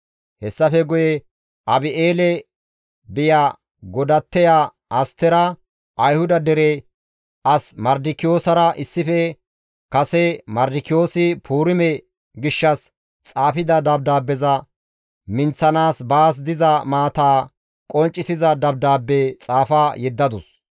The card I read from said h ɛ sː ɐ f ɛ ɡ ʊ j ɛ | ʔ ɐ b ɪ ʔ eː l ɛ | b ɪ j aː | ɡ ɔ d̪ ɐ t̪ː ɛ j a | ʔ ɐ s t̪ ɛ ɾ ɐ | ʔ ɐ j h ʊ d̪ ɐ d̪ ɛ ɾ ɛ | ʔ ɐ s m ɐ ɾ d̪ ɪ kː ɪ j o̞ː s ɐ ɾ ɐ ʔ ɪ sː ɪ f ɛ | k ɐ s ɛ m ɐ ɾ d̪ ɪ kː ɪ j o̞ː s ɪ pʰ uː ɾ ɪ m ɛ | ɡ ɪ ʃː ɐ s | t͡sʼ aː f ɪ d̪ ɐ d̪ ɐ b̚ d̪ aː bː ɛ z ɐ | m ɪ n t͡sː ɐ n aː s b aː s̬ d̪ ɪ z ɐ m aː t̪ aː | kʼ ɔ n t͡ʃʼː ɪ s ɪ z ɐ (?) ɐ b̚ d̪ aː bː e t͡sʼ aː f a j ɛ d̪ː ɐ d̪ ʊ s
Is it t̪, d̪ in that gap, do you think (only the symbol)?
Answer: d̪